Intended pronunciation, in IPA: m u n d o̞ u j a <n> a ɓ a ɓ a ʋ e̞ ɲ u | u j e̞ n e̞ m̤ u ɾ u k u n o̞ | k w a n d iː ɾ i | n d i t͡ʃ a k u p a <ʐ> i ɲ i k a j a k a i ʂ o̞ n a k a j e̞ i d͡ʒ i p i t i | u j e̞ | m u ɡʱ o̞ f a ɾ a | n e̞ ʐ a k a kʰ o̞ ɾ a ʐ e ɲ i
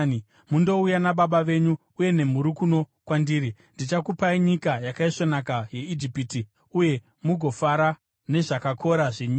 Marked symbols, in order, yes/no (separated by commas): yes, no